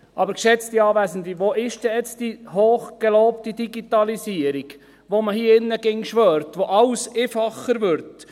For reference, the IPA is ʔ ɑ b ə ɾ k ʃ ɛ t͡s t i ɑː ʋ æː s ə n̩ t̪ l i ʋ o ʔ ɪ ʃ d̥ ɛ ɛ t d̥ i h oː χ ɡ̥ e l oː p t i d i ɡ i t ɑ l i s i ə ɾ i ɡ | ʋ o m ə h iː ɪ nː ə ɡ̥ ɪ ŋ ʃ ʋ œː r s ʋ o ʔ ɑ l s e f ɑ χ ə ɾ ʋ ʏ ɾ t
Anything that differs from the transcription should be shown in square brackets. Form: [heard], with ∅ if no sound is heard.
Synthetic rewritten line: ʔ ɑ b ə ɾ k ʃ ɛ t͡s t i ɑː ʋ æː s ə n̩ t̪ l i ʋ o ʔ ɪ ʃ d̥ ɛ ɛ [t͡s] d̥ i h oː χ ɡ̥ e l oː p t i d i ɡ i t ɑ l i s i ə ɾ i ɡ | ʋ o m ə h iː ɪ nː ə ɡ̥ ɪ ŋ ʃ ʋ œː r [t] ʋ o ʔ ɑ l s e f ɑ χ ə ɾ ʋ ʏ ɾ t